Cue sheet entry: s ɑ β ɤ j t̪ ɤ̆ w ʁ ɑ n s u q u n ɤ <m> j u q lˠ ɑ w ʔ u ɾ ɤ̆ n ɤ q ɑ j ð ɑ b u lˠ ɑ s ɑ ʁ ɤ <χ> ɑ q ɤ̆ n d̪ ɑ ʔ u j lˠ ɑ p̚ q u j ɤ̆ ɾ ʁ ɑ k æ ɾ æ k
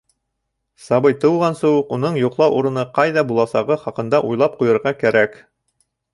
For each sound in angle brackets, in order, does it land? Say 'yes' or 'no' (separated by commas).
no, yes